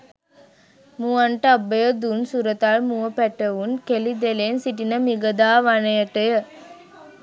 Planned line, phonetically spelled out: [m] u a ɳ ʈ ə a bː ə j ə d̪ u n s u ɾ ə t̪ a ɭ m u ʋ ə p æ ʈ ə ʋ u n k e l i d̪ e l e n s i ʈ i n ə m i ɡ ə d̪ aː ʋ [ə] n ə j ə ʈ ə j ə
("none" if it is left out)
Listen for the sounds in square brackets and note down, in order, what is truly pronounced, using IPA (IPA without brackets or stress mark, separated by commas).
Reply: m, a